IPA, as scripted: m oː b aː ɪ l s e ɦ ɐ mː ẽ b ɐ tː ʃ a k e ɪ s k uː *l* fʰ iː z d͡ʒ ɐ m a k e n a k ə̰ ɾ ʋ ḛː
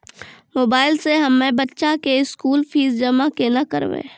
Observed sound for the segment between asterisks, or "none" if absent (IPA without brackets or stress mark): l